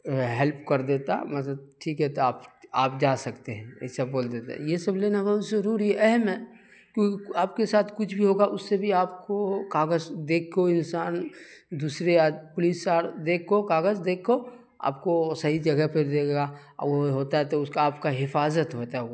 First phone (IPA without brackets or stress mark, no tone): ɦ